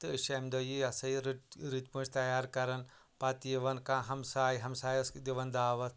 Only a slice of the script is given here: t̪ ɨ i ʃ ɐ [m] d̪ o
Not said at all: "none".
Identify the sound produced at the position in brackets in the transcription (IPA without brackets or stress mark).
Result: m